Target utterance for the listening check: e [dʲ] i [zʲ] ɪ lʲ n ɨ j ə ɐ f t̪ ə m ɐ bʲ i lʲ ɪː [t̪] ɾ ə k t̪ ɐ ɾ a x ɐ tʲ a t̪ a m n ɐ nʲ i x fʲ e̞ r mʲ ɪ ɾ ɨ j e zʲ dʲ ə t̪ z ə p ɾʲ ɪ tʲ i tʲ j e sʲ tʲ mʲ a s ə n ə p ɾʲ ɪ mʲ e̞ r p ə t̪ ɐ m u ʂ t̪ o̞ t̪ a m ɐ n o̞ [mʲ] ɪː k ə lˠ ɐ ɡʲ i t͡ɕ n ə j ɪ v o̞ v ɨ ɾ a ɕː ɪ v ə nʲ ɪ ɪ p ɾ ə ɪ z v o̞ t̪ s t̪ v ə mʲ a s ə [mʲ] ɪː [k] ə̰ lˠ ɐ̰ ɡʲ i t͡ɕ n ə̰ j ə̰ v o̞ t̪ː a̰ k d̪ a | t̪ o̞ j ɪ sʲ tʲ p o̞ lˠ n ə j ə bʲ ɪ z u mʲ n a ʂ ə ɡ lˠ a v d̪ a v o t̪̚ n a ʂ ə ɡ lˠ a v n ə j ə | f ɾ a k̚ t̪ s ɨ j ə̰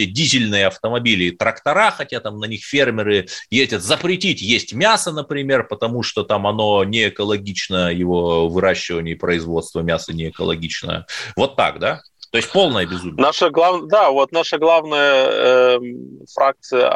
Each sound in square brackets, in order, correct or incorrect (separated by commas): correct, correct, correct, incorrect, incorrect, correct